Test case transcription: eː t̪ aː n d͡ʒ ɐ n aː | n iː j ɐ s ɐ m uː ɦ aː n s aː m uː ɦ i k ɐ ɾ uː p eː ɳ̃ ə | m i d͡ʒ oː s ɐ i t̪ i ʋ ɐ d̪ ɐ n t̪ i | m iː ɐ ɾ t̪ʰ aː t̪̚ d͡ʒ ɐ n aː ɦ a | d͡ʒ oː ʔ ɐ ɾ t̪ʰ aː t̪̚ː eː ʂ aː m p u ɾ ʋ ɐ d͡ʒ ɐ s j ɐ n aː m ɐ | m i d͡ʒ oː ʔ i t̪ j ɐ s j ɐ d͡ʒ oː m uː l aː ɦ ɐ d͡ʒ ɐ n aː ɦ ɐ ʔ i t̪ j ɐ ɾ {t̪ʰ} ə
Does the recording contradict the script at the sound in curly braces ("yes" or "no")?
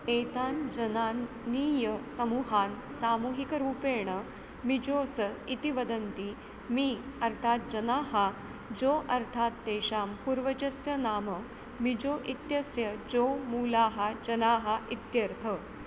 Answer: no